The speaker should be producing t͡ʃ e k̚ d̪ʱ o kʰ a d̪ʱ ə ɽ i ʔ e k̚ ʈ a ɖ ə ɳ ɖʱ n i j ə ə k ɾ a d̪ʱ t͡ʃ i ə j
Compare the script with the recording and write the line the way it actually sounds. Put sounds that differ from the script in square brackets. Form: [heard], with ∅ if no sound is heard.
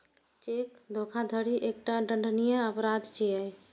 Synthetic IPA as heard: t͡ʃ e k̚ d̪ʱ o kʰ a d̪ʱ ə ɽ i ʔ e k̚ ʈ a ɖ ə ɳ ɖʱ n i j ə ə [p] ɾ a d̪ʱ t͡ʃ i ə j